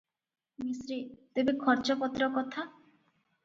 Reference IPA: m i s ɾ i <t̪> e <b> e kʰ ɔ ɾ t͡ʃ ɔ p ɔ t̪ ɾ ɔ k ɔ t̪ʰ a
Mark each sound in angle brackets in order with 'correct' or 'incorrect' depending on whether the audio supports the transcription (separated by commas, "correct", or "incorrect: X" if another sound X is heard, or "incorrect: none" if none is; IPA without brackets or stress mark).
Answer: correct, correct